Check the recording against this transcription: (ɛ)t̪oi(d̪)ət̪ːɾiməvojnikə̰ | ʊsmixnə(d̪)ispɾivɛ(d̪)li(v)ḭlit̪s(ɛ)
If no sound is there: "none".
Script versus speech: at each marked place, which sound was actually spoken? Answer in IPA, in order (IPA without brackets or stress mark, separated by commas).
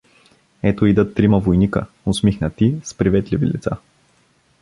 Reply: ɛ, d̪, t̪, t̪, v, a